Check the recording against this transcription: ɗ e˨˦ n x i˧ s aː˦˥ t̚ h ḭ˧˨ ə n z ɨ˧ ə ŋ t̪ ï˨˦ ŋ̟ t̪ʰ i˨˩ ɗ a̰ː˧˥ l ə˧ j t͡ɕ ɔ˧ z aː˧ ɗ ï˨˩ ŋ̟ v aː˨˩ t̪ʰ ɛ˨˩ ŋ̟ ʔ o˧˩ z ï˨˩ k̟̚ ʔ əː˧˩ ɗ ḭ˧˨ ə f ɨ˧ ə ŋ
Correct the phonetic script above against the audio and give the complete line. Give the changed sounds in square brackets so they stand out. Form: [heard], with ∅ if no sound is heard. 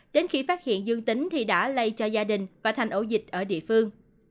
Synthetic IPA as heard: ɗ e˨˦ n x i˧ [f] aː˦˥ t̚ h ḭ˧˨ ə n z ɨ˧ ə ŋ t̪ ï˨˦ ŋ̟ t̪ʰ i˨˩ ɗ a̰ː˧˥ l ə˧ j t͡ɕ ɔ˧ z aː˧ ɗ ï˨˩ ŋ̟ v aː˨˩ t̪ʰ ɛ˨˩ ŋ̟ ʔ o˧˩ z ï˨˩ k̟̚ ʔ əː˧˩ ɗ ḭ˧˨ ə f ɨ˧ ə ŋ